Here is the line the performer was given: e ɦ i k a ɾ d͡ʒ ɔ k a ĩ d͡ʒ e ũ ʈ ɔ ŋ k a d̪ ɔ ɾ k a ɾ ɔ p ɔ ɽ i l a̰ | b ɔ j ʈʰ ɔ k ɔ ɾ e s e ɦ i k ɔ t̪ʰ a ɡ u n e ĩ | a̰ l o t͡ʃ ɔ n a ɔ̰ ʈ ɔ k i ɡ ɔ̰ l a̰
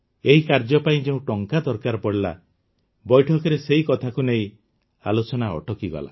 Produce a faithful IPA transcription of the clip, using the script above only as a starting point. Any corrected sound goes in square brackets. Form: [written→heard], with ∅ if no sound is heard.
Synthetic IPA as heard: e ɦ i k a ɾ d͡ʒ ɔ [k→p] a ĩ d͡ʒ e ũ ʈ ɔ ŋ k a d̪ ɔ ɾ k a ɾ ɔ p ɔ ɽ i l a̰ | b ɔ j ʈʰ ɔ k ɔ ɾ e s e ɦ i k ɔ t̪ʰ a [ɡ→k] u n e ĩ | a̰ l o t͡ʃ ɔ n a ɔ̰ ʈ ɔ k i ɡ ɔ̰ l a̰